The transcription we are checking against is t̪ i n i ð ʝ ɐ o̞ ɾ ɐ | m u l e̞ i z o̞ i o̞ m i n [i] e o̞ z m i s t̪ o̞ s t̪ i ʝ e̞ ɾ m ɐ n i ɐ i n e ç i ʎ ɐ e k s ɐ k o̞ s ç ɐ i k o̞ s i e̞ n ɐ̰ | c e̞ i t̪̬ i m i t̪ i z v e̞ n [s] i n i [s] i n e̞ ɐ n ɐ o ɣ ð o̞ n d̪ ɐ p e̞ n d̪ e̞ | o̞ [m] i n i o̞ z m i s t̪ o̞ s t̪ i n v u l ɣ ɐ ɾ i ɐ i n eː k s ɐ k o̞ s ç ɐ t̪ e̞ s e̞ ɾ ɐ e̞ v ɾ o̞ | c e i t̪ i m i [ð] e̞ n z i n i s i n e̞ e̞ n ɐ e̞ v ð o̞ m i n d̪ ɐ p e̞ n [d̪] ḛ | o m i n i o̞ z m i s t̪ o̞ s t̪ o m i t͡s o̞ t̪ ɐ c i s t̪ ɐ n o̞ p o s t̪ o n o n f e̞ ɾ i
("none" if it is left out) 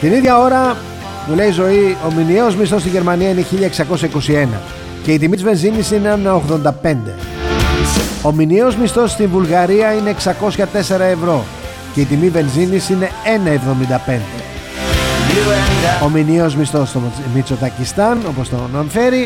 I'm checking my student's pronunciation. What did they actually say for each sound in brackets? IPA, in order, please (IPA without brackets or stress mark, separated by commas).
i, z, s, m, v, d̪